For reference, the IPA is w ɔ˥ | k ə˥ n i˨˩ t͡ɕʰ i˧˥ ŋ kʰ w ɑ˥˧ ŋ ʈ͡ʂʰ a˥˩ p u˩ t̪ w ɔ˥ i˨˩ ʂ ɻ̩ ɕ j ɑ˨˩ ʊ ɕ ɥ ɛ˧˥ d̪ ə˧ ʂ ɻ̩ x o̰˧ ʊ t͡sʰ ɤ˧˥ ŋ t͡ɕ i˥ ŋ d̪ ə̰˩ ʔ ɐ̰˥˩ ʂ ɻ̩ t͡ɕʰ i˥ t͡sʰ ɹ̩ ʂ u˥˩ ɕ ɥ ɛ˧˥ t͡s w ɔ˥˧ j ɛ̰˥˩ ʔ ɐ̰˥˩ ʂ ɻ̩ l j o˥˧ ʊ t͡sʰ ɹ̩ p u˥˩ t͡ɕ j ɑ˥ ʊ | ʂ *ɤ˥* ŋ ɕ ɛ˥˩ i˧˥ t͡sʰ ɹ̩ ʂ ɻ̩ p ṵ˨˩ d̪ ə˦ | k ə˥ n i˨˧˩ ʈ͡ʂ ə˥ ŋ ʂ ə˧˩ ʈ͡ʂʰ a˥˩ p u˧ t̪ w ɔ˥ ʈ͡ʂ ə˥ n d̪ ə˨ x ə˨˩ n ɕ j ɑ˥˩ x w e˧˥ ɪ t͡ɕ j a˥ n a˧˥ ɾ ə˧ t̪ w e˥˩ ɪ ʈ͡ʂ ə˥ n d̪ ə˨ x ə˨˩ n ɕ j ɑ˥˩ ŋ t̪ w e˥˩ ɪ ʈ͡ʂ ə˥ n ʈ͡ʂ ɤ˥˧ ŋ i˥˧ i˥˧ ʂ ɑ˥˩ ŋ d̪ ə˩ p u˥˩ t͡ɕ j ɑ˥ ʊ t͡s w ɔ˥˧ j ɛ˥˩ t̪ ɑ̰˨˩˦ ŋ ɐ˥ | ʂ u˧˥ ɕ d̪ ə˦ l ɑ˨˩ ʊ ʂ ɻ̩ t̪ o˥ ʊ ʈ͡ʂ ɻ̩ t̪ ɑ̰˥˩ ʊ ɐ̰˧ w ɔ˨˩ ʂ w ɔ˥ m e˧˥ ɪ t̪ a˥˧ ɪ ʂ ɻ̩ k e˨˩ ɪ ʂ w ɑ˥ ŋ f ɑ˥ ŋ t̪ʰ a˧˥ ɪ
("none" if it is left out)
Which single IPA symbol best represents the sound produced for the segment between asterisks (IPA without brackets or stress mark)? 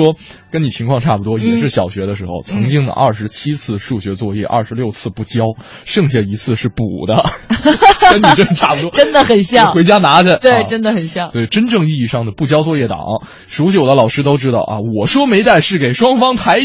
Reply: ɤ˥˧